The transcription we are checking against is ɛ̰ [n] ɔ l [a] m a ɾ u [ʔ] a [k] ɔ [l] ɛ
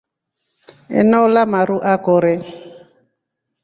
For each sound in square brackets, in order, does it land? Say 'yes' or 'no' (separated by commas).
yes, yes, yes, yes, no